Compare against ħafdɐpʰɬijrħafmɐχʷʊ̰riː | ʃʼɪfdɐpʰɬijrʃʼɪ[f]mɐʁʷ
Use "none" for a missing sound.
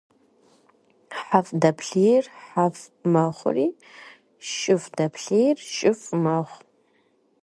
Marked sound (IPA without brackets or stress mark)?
f